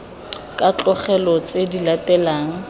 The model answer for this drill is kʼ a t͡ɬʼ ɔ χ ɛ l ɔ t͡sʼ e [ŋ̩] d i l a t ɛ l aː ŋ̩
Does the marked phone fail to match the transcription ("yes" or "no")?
yes